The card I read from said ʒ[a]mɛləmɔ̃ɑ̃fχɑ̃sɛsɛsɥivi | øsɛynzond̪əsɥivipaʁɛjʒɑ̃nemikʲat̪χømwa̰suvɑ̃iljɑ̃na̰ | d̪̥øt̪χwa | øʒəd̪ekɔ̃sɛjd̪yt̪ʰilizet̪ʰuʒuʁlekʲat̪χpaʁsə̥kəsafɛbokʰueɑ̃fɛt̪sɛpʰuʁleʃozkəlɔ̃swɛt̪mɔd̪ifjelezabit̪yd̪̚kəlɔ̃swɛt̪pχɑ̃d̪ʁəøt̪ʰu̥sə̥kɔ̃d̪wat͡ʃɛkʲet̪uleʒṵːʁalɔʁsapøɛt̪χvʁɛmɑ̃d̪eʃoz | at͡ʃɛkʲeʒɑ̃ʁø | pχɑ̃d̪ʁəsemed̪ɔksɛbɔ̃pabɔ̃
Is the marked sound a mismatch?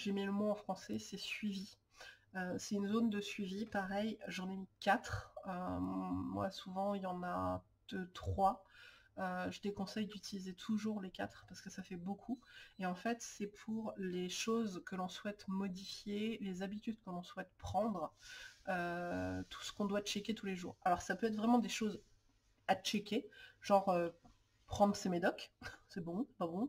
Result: yes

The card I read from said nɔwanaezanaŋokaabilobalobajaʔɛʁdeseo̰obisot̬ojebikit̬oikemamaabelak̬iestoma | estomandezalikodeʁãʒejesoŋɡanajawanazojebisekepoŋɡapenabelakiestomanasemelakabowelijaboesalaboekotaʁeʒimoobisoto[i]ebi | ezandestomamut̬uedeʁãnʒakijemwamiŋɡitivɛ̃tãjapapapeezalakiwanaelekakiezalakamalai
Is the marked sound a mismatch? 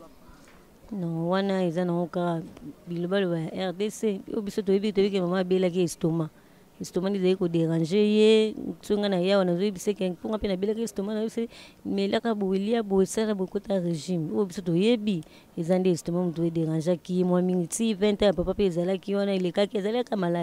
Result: yes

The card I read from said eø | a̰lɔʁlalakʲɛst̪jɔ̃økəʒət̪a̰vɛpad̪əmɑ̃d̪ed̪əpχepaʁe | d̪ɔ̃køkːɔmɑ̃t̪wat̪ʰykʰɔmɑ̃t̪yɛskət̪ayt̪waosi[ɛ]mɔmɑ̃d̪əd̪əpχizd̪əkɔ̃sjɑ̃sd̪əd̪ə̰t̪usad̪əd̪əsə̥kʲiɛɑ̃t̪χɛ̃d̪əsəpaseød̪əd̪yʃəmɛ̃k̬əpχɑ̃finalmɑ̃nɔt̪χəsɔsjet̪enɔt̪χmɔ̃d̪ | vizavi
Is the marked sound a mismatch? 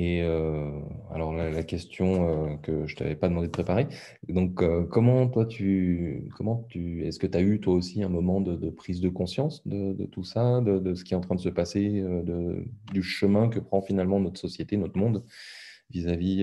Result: yes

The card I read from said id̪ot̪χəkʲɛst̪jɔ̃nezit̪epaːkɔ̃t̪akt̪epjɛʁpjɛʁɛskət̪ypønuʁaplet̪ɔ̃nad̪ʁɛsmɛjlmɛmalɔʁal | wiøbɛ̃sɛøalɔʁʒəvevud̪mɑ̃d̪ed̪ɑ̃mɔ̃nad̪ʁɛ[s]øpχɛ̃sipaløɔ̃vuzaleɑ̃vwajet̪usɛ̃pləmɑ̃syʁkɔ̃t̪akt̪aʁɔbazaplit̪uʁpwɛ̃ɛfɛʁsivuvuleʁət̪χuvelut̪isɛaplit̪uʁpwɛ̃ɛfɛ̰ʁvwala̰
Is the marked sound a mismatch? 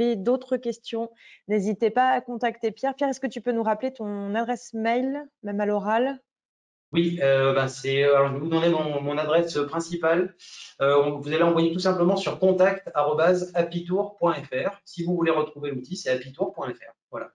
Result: no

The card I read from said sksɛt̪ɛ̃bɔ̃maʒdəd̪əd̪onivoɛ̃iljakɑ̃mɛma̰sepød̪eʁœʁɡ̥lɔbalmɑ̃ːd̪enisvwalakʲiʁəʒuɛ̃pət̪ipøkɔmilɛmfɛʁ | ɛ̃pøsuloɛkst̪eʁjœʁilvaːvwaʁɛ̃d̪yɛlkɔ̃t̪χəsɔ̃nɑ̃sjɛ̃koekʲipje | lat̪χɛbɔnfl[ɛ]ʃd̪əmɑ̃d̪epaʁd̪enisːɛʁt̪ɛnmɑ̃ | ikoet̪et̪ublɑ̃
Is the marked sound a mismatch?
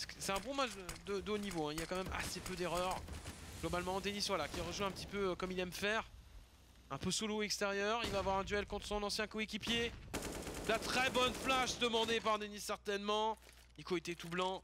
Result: yes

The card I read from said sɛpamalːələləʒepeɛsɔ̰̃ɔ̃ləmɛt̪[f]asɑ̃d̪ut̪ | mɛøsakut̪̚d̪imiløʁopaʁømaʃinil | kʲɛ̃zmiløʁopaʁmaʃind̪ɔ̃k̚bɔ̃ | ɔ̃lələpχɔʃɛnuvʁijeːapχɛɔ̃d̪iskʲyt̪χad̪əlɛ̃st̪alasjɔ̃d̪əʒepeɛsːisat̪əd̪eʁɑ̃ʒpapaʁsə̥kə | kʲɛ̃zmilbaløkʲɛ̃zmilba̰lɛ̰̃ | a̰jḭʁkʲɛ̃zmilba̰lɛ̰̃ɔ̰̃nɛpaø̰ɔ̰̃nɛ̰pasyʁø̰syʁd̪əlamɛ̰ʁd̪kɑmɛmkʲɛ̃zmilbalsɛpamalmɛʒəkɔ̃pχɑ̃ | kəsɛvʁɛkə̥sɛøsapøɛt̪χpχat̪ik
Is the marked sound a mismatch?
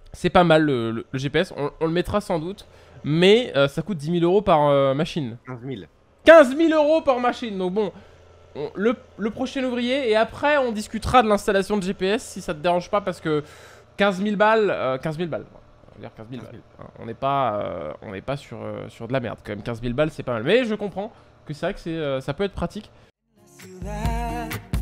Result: yes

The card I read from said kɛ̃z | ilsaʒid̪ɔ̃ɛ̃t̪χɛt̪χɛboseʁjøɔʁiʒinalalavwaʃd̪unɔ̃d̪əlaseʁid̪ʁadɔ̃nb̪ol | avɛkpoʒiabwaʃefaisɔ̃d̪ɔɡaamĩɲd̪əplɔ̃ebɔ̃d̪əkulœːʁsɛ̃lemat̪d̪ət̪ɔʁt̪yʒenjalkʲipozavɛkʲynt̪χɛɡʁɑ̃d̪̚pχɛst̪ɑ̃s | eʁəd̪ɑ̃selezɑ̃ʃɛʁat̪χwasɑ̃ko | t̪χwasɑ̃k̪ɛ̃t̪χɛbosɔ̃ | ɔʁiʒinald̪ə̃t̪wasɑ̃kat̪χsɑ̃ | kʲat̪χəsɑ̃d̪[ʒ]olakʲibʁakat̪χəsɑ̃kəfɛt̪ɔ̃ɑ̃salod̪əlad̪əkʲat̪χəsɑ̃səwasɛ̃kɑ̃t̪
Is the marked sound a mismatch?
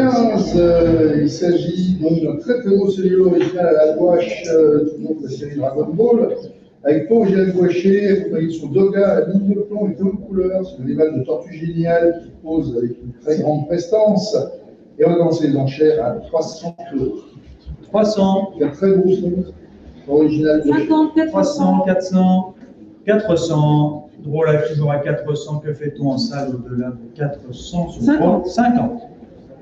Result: yes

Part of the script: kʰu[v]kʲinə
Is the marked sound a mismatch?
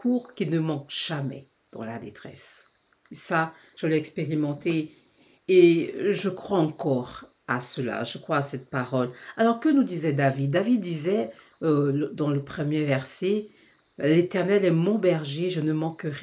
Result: yes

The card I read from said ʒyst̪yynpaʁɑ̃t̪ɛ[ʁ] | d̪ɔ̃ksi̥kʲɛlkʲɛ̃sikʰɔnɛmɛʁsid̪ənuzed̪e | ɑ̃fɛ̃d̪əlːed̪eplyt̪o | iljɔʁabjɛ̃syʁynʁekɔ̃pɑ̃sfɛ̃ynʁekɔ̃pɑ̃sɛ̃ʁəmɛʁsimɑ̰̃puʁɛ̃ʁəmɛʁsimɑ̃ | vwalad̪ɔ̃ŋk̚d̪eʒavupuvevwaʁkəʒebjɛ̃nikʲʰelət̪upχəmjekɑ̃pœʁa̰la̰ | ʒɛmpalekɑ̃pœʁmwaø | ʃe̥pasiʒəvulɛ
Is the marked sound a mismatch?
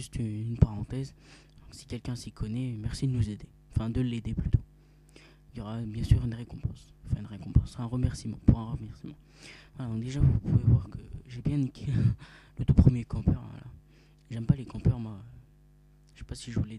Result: yes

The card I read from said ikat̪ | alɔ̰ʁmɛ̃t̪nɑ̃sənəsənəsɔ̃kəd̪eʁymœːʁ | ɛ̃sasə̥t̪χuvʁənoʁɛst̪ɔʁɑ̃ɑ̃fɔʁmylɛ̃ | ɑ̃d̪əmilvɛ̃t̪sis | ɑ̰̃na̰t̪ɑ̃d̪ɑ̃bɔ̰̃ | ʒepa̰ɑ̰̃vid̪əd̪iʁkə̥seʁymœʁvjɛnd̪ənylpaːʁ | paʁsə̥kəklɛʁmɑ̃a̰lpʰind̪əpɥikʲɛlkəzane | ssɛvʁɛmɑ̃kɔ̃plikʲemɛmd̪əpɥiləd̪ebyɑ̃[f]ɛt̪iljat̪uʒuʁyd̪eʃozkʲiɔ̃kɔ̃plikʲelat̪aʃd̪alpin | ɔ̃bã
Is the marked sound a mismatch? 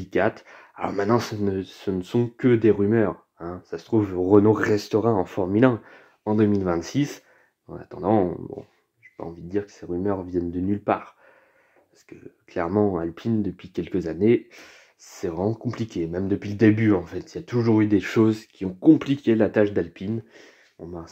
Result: no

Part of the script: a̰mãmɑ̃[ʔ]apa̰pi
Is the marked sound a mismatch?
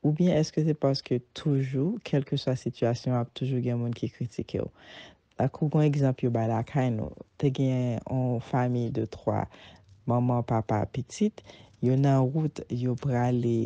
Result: yes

